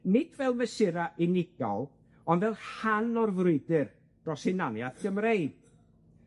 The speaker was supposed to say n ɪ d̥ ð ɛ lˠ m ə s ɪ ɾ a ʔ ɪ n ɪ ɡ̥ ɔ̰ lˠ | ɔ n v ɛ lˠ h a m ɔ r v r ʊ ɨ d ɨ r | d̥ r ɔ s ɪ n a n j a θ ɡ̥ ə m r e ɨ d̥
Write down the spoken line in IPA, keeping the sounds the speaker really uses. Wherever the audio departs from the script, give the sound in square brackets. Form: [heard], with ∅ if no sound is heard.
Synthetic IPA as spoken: n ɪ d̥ [v] ɛ lˠ m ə s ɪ ɾ a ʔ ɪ n ɪ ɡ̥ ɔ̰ lˠ | ɔ n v ɛ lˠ h a [n] ɔ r v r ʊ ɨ d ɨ r | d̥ r ɔ s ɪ n a n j a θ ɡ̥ ə m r e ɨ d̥